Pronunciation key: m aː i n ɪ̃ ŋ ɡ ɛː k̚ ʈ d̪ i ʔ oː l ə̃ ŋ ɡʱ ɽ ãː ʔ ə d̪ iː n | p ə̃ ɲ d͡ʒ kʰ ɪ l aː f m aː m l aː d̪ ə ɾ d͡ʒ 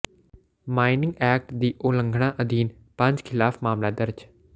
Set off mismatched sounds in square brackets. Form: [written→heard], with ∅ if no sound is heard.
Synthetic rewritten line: m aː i n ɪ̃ ŋ ɡ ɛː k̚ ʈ d̪ [i→iː] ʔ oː l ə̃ ŋ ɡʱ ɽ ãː ʔ ə d̪ iː n | p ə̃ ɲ d͡ʒ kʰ ɪ l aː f m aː m l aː d̪ ə ɾ d͡ʒ